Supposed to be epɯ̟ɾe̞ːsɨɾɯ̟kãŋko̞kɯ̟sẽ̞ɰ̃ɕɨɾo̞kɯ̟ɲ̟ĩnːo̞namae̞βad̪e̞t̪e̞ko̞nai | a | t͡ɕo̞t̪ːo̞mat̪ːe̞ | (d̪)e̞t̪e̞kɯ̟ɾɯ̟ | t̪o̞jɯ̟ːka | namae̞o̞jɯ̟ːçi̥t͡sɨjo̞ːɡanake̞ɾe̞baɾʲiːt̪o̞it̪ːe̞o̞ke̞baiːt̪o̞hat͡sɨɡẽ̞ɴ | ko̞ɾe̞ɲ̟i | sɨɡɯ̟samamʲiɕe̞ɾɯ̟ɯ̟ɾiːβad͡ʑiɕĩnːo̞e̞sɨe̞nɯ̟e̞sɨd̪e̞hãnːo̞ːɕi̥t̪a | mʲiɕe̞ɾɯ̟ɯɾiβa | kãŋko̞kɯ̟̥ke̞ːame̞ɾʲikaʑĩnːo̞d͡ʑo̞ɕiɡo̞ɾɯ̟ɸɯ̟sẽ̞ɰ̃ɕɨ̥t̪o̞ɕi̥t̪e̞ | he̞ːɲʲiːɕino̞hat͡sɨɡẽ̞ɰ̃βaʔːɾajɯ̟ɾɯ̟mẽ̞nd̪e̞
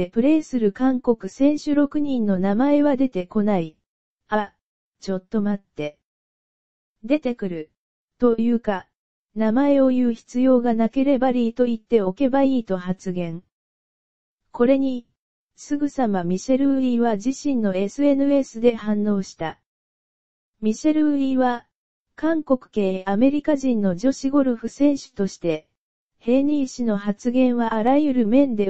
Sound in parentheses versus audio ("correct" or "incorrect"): correct